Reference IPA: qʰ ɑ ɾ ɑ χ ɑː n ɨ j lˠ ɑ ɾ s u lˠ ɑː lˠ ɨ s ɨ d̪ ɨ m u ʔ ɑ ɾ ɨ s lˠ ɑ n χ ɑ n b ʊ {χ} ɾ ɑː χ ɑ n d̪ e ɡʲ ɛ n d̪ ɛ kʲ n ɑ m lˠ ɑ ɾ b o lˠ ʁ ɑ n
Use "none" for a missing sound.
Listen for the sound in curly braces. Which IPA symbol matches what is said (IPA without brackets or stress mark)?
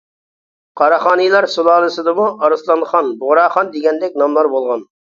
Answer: ʁ